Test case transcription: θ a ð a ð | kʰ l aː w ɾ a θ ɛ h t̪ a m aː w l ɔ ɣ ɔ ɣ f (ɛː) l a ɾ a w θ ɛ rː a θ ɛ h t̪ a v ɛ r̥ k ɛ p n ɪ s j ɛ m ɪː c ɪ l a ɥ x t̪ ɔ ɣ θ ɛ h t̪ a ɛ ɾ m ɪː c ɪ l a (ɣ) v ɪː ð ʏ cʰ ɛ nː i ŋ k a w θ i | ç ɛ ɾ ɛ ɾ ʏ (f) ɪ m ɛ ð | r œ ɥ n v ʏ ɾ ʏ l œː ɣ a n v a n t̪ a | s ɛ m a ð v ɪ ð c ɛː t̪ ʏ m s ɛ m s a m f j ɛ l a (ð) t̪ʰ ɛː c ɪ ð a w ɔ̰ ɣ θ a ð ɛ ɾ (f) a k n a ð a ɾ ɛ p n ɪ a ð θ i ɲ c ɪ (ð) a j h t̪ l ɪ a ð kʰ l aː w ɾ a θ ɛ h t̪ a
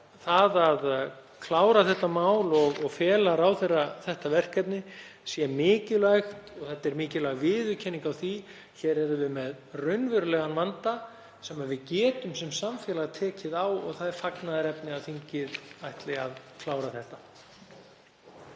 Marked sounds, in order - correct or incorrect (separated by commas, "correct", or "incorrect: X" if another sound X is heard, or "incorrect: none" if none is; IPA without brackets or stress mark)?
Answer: correct, correct, incorrect: v, incorrect: ɣ, correct, correct